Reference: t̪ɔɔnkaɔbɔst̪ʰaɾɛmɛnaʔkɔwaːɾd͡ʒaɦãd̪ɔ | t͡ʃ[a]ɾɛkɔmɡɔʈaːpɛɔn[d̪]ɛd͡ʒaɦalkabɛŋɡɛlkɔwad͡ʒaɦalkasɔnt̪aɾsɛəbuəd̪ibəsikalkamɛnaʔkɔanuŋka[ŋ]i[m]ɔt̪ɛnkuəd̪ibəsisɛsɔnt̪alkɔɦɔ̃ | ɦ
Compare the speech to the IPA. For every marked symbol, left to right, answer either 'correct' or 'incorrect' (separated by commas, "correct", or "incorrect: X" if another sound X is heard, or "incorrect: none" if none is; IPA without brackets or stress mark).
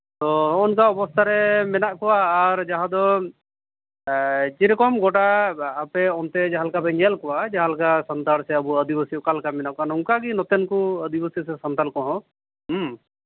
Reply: incorrect: i, incorrect: t̪, incorrect: ɡ, incorrect: n